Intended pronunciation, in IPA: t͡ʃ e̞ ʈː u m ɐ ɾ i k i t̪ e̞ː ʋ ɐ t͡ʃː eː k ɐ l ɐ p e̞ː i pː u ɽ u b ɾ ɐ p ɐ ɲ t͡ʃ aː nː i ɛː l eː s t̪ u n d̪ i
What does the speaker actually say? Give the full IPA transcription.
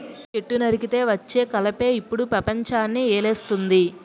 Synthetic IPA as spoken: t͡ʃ e̞ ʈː u n ɐ ɾ i k i t̪ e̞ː ʋ ɐ t͡ʃː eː k ɐ l ɐ p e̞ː i pː u ɽ u p ɾ ɐ p ɐ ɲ t͡ʃ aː nː i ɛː l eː s t̪ u n d̪ i